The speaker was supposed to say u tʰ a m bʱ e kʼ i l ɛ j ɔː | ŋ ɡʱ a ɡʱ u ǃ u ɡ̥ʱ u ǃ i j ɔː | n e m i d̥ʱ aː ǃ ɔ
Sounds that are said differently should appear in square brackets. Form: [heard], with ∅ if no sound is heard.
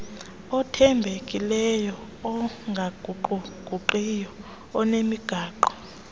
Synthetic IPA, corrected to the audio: [ɔ] tʰ [ɛ] m bʱ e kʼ i l ɛ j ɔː | ŋ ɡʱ a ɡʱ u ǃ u ɡ̥ʱ u ǃ i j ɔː | n e m i [ɡ̥ʱ] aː ǃ ɔ